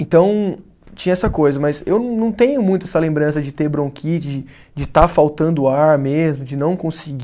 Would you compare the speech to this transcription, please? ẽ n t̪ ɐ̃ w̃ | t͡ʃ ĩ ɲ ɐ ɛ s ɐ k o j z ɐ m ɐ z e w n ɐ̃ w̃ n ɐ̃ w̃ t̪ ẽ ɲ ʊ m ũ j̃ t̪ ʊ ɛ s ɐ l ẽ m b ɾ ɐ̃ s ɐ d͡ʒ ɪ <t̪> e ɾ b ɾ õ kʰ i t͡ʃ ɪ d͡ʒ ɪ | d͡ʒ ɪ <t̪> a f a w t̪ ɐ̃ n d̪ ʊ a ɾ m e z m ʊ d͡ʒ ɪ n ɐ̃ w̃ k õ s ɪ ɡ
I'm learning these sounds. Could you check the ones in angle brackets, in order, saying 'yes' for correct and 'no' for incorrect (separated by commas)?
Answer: yes, yes